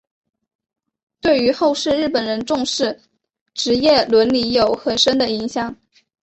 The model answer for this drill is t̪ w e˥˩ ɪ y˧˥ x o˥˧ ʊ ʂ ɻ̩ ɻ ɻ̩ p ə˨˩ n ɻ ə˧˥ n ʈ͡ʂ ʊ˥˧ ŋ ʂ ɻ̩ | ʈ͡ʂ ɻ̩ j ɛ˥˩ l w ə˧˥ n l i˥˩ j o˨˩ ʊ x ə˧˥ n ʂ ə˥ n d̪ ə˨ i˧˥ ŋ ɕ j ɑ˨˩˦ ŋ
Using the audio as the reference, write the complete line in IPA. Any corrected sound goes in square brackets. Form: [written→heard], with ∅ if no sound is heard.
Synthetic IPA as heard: t̪ w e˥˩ ɪ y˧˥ x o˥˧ ʊ ʂ ɻ̩ ɻ ɻ̩ p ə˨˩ n ɻ ə˧˥ n ʈ͡ʂ ʊ˥˧ ŋ ʂ ɻ̩ | ʈ͡ʂ ɻ̩ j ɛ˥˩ l w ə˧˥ n l [i˥˩→i˧˥] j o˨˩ ʊ x [ə˧˥→ə˨˩] n ʂ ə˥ n d̪ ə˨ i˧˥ ŋ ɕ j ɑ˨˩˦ ŋ